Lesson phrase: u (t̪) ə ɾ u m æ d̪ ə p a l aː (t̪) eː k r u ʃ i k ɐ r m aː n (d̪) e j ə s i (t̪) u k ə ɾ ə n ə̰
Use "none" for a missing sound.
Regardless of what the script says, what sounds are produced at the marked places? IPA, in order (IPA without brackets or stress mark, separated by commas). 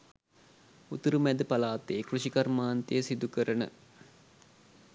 t̪, t̪, t̪, d̪